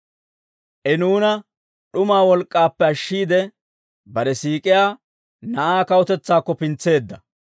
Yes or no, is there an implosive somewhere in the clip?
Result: yes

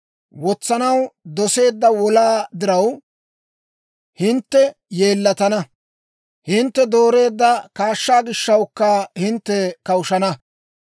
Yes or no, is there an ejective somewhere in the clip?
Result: no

